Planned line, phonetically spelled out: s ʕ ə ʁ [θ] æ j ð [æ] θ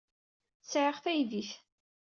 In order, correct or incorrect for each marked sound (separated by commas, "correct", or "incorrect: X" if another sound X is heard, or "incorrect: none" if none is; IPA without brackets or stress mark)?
correct, incorrect: i